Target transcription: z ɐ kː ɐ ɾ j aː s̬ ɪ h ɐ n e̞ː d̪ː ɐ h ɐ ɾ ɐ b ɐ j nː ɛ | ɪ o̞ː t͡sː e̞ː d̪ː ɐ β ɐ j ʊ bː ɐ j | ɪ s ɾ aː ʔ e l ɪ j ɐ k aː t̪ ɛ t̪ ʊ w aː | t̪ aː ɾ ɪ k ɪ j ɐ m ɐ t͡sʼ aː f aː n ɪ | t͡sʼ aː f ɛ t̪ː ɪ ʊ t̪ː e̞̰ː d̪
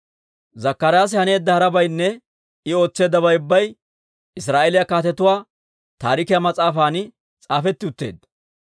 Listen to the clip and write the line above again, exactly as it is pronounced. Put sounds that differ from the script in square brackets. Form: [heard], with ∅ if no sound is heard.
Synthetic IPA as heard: z ɐ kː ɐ ɾ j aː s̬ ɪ h ɐ n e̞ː d̪ː ɐ h ɐ ɾ ɐ b ɐ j nː ɛ | ɪ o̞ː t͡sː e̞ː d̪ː ɐ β ɐ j ʊ bː ɐ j | ɪ s ɾ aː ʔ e l ɪ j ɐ k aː t̪ ɛ t̪ ʊ w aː | t̪ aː ɾ ɪ k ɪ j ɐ m ɐ t͡sʼ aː f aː n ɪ | t͡sʼ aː f ɛ t̪ː ɪ ʊ t̪ː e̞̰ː d̪